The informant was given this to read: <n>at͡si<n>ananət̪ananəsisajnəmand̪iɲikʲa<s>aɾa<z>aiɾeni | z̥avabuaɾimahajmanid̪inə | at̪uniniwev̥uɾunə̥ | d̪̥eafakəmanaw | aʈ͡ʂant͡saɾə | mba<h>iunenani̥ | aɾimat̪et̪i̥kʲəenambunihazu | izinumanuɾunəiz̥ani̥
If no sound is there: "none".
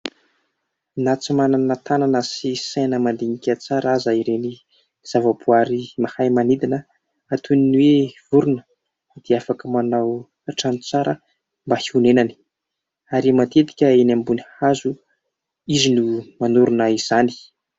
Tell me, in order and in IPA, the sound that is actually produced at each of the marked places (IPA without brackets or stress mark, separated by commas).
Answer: n, m, t͡s, z, h